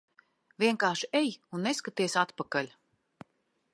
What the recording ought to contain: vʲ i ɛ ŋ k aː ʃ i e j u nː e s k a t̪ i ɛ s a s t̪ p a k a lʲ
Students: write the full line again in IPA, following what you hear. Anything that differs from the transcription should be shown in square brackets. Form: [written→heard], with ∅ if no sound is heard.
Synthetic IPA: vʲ i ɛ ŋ k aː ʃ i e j u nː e s k a t̪ i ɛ s a [s→∅] t̪ p a k a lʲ